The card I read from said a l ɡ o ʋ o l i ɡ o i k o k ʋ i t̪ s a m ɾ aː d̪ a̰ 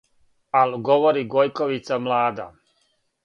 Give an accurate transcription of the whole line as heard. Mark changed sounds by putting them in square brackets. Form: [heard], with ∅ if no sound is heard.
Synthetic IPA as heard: a l ɡ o ʋ o [ɾ] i ɡ o [j] k o [∅] ʋ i t̪ s a m [l] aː d̪ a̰